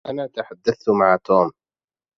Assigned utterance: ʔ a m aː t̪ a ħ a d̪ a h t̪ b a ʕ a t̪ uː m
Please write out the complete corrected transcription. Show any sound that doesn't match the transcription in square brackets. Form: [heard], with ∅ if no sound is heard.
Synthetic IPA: ʔ a [n] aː t̪ a ħ a [d̪ː] a [θ] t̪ [m] a ʕ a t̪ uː m